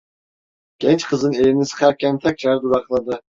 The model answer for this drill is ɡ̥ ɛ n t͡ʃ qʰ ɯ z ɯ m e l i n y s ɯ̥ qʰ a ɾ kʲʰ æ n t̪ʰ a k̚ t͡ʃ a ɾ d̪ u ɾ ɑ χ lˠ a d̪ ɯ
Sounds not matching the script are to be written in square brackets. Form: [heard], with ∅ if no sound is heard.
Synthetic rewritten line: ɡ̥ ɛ n t͡ʃ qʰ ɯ z ɯ [n] e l i n [i] s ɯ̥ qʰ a ɾ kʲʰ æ n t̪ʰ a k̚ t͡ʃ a ɾ d̪ u ɾ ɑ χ lˠ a d̪ ɯ